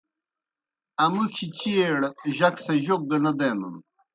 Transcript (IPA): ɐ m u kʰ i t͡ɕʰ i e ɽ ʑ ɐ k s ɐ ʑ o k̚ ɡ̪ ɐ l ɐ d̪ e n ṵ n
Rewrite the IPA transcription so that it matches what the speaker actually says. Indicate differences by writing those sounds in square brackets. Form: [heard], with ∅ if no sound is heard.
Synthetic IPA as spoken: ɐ m u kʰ i [t͡ɕ] i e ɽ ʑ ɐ k s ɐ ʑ o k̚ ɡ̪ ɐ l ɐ d̪ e n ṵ n